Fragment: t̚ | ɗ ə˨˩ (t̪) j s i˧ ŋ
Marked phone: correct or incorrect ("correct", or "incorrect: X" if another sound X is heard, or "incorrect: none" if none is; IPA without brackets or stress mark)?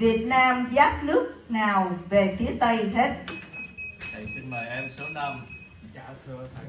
incorrect: none